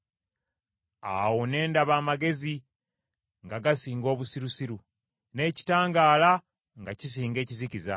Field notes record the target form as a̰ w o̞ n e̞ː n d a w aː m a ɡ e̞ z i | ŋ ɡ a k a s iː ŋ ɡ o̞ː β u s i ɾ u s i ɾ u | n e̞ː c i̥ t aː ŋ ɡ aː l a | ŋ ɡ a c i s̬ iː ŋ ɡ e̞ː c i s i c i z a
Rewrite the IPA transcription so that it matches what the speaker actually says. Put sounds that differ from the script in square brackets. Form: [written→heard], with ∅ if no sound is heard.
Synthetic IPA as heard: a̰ w o̞ n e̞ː n d a [w→β] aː m a ɡ e̞ z i | ŋ ɡ a [k→ɡ] a s iː ŋ ɡ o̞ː β u s i ɾ u s i ɾ u | n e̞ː c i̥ t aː ŋ ɡ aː l a | ŋ ɡ a c i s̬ iː ŋ ɡ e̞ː c i [s→z] i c i z a